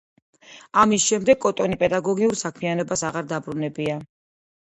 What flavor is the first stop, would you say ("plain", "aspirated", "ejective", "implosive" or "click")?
plain